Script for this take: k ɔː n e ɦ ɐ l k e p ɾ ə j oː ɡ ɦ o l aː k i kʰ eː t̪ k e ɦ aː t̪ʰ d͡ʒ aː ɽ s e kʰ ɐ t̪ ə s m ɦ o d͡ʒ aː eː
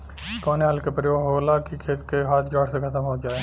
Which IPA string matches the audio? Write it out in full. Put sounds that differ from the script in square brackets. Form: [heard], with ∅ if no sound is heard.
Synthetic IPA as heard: k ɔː n e ɦ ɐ l k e p ɾ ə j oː ɡ ɦ o l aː k i kʰ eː t̪ k e ɦ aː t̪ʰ d͡ʒ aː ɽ s e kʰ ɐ t̪ ə [∅] m ɦ o d͡ʒ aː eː